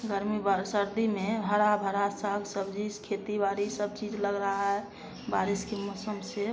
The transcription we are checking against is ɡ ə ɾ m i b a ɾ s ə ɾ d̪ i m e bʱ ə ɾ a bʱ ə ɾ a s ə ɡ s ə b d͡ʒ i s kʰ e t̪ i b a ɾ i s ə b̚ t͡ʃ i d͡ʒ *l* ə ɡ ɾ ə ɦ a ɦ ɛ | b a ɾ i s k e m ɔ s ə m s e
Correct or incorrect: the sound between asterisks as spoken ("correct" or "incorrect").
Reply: correct